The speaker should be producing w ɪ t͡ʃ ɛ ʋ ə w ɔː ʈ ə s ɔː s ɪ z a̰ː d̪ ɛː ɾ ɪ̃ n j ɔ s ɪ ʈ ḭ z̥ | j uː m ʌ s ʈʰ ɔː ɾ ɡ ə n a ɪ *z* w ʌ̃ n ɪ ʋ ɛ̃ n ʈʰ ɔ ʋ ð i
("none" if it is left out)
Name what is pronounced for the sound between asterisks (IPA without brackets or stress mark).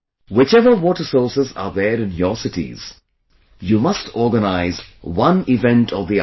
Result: z